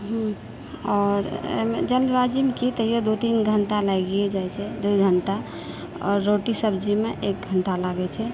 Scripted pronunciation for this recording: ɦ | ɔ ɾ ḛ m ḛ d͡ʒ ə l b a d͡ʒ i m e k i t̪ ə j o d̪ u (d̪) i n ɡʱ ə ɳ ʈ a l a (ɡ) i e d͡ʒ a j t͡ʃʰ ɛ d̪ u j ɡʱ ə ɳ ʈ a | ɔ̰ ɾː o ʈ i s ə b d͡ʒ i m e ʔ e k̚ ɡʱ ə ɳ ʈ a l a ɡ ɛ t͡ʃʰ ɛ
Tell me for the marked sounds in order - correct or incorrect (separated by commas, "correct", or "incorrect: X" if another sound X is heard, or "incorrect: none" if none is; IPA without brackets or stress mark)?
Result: incorrect: t̪, correct